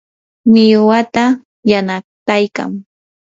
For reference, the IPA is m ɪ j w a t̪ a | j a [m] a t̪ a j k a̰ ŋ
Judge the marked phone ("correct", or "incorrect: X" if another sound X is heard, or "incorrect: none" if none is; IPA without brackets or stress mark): incorrect: n